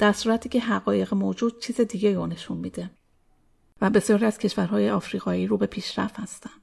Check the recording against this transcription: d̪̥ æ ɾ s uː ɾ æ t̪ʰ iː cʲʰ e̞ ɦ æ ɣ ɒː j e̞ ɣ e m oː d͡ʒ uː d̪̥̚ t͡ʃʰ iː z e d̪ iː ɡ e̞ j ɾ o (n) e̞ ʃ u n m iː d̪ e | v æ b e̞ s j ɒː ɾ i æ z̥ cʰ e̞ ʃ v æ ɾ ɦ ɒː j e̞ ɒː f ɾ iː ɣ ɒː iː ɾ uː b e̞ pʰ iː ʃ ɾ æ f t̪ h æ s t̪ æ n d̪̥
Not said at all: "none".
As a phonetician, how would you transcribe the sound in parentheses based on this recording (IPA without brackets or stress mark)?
n